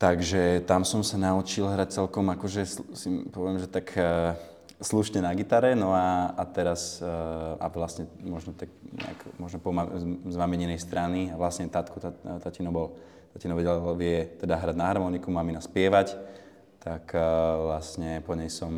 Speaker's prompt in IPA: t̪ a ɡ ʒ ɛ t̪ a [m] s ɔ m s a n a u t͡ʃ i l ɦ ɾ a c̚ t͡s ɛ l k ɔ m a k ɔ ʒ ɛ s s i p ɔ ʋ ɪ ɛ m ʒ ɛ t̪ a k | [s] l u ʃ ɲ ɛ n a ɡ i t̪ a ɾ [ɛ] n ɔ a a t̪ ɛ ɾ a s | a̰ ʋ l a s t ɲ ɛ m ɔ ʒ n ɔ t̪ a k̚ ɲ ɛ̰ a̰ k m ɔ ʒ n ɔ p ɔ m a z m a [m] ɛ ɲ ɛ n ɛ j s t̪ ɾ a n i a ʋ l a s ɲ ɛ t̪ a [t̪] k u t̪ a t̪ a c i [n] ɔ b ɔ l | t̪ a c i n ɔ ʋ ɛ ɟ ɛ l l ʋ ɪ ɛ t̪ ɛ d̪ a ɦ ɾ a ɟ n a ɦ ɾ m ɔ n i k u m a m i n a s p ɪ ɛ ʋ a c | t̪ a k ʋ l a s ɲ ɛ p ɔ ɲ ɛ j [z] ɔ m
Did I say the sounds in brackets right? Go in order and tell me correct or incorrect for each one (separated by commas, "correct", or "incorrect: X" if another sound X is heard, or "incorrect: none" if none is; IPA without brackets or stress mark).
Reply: correct, correct, correct, correct, correct, correct, incorrect: s